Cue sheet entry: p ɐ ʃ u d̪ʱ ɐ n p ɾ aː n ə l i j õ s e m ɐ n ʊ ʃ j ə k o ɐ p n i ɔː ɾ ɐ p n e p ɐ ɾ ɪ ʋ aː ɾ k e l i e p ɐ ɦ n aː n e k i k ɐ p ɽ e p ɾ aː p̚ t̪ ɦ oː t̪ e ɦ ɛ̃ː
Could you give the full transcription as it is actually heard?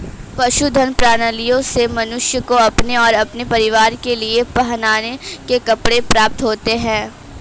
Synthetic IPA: p ɐ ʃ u d̪ʱ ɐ n p ɾ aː n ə l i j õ s e m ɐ n ʊ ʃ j ə k o ɐ p n e ɔː ɾ ɐ p n e p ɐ ɾ ɪ ʋ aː ɾ k e l i e p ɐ ɦ n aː n e k e k ɐ p ɽ e p ɾ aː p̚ t̪ ɦ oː t̪ e ɦ ɛ̃ː